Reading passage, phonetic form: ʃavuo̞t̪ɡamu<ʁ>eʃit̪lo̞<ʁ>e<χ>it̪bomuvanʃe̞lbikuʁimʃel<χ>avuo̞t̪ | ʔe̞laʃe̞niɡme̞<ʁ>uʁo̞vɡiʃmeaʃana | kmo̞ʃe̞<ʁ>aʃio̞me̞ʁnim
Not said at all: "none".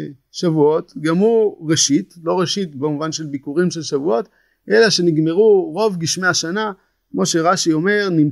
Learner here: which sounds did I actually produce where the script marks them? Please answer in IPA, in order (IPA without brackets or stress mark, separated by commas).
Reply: ʁ, ʁ, ʃ, ʃ, ʁ, ʁ